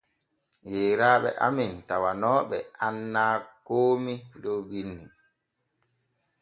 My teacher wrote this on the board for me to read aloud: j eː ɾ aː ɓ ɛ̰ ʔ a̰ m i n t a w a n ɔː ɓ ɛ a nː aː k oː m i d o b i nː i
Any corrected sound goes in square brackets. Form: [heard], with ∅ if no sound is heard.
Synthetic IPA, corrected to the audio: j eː ɾ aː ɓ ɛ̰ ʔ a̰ m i n t a w a n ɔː ɓ ɛ a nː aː k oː m i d o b i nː i